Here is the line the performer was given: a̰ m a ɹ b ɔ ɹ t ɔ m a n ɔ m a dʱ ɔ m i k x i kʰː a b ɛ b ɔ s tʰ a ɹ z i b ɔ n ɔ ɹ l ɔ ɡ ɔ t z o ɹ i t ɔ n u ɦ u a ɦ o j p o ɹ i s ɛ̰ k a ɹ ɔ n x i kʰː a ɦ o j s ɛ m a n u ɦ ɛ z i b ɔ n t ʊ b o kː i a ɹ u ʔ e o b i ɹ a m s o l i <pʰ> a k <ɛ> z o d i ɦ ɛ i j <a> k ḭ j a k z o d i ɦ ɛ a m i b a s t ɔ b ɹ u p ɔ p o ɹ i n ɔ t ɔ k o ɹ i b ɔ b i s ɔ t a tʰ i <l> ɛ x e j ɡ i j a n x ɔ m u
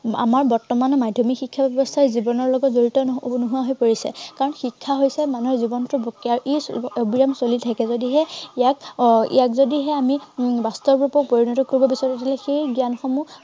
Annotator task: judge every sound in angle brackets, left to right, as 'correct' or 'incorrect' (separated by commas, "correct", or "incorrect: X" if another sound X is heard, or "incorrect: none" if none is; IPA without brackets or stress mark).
incorrect: tʰ, correct, correct, correct